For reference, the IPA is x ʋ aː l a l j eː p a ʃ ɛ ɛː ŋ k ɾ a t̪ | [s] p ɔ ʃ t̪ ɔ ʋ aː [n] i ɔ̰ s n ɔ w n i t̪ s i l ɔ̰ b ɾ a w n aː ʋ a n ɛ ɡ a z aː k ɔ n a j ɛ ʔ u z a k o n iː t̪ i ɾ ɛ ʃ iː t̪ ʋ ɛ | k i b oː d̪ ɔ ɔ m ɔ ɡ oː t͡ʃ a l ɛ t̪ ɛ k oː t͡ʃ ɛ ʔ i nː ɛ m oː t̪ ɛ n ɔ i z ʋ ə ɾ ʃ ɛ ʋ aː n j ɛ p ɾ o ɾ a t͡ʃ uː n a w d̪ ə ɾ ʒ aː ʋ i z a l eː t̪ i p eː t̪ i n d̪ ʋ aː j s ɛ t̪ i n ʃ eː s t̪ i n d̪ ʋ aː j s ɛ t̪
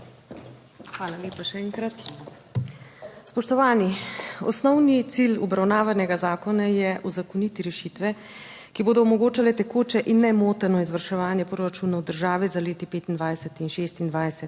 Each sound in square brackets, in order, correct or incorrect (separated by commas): correct, correct